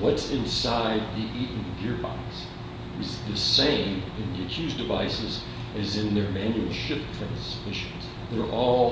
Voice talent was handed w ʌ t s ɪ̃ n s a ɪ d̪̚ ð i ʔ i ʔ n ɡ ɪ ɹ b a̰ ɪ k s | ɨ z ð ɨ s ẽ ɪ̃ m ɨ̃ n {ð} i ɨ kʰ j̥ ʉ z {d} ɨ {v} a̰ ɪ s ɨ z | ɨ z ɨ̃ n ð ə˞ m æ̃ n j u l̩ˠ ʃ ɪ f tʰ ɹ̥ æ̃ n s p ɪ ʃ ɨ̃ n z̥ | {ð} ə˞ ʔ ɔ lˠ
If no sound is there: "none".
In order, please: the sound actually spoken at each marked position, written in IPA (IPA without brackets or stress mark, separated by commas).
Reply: ð, d, v, ð